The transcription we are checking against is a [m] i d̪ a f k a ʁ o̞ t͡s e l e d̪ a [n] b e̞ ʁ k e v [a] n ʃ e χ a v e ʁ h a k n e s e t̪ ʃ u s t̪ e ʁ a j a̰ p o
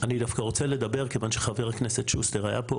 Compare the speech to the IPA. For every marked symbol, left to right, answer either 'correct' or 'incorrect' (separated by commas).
incorrect, incorrect, correct